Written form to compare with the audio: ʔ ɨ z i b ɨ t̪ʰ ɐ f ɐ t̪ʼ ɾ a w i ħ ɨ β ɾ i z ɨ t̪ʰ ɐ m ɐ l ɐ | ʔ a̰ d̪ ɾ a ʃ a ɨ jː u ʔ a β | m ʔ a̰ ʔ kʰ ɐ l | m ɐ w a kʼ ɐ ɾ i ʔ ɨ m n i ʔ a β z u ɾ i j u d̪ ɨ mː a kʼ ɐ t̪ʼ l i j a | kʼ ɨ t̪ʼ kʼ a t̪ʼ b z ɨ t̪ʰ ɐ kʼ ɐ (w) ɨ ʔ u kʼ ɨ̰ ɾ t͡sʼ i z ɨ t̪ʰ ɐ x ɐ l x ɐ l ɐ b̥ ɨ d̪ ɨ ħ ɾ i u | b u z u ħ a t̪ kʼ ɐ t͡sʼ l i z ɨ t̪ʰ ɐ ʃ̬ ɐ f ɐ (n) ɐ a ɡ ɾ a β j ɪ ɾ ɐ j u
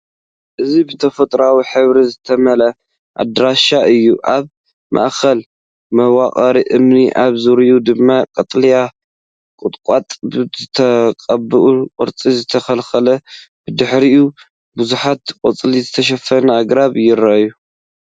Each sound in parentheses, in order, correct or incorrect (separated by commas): incorrect, correct